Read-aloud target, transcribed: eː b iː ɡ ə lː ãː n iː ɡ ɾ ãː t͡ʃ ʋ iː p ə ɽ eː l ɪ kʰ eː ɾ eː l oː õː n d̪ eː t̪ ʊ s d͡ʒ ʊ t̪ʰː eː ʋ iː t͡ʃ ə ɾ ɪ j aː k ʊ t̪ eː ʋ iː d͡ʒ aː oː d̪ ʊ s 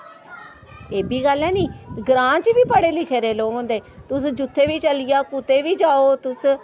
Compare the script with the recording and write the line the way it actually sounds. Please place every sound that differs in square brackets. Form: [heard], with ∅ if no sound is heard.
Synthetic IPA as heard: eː b iː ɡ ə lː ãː n iː ɡ ɾ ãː t͡ʃ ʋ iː p ə ɽ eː l ɪ kʰ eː ɾ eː l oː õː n d̪ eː t̪ ʊ s d͡ʒ ʊ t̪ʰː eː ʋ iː t͡ʃ ə [l] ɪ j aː k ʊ t̪ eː ʋ iː d͡ʒ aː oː [t̪] ʊ s